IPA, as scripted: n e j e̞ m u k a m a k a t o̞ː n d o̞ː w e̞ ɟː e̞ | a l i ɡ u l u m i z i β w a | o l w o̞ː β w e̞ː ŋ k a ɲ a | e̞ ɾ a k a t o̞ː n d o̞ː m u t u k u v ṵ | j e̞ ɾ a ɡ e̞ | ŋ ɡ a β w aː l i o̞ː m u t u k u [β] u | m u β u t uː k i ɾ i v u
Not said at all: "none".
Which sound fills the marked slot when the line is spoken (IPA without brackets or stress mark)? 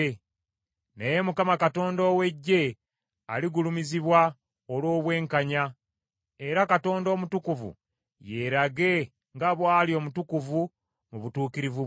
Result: v